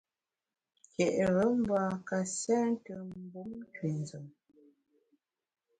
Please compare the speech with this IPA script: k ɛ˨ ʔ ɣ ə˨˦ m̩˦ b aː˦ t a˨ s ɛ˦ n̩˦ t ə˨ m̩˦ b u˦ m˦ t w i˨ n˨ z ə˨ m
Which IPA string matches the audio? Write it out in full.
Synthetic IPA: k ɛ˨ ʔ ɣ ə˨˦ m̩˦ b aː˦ k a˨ s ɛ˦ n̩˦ t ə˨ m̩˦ b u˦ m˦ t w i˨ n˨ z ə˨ m